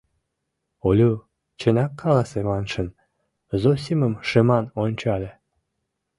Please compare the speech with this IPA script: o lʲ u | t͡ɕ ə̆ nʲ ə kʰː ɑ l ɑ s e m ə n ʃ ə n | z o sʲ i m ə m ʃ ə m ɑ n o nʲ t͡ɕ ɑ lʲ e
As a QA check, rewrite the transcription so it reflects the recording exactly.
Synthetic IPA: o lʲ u | t͡ɕ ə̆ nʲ ɑ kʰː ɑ l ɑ s e m ɑ n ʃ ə n | z o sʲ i m ə m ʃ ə m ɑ n o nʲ t͡ɕ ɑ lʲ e